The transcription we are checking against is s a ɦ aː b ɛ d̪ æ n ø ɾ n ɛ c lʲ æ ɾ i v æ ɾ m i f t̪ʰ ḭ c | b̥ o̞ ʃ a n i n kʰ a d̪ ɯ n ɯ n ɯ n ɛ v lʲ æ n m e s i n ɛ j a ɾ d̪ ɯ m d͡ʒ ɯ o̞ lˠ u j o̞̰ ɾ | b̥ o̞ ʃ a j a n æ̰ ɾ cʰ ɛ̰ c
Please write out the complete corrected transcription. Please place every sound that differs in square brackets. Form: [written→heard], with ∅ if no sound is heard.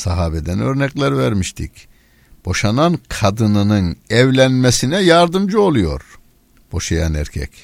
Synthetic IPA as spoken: s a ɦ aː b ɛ d̪ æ n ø ɾ n ɛ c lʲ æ ɾ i v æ ɾ m i [f→ʃ] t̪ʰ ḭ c | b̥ o̞ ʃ a n [i→a] n kʰ a d̪ ɯ n ɯ n ɯ n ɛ v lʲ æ n m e s i n ɛ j a ɾ d̪ ɯ m d͡ʒ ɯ o̞ lˠ u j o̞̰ ɾ | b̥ o̞ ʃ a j a n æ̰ ɾ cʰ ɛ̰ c